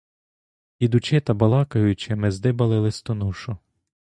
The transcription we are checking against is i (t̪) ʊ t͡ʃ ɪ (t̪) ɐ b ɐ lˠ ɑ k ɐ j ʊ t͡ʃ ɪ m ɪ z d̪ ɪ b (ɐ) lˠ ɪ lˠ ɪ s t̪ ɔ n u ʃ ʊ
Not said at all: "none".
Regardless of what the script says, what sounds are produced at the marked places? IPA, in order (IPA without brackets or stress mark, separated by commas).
d̪, t̪, ɐ